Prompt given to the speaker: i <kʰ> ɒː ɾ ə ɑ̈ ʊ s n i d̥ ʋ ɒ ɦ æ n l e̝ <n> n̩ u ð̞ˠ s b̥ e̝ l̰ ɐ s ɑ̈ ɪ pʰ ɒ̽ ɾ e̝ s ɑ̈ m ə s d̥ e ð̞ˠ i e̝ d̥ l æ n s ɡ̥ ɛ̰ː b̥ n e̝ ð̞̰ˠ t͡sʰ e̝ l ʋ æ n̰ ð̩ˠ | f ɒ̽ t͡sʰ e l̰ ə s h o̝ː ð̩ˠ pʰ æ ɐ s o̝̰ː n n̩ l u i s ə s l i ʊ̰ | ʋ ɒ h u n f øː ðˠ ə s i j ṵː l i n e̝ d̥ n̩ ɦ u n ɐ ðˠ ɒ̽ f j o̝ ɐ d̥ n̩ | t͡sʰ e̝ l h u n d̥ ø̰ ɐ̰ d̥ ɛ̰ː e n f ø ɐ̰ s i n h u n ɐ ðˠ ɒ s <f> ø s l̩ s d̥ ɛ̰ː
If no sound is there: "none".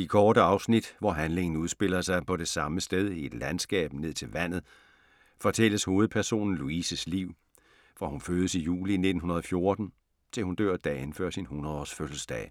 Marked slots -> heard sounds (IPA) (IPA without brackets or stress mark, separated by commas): kʰ, ŋ, f